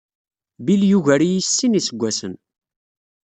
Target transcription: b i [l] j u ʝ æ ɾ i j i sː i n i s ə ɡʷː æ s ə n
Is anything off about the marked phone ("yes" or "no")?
no